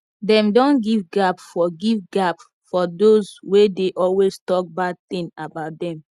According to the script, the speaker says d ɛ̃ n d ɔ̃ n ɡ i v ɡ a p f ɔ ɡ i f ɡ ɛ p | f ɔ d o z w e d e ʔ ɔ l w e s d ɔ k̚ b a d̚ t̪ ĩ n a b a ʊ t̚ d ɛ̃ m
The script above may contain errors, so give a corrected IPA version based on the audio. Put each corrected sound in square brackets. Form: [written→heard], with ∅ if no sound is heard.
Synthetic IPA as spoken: d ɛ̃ [n→m] d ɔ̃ n ɡ i v ɡ a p f ɔ ɡ i [f→v] ɡ [ɛ→a] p | f ɔ d o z w e d e ʔ ɔ l w e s [d→t] ɔ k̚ b a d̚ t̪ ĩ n a b a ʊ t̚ d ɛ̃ m